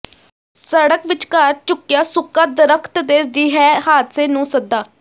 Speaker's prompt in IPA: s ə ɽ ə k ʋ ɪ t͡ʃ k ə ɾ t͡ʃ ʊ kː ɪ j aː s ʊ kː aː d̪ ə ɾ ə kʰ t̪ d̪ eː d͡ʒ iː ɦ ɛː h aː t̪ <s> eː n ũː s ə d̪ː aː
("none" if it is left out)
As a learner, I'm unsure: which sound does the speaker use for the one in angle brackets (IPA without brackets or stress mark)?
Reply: s